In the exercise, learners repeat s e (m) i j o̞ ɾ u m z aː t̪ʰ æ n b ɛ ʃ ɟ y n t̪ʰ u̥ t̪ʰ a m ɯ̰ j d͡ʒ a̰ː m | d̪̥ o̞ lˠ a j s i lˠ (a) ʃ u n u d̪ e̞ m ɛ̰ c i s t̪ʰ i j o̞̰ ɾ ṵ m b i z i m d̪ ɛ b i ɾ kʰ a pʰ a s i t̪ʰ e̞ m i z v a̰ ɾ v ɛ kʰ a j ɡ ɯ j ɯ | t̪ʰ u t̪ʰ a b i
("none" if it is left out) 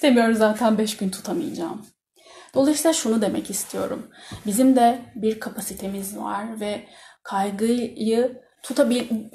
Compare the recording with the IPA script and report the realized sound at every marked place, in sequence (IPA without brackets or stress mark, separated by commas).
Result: m, a